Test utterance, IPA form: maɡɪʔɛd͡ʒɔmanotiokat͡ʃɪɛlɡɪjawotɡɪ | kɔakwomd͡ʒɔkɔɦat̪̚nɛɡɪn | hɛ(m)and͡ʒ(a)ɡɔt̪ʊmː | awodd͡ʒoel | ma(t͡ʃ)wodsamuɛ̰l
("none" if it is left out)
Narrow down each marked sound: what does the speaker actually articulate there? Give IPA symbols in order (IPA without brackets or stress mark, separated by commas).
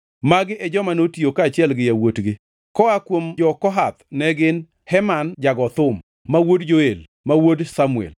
m, a, none